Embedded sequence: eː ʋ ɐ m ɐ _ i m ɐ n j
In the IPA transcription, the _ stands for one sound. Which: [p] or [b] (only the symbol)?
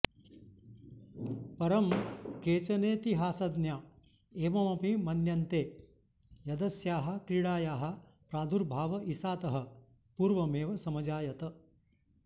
p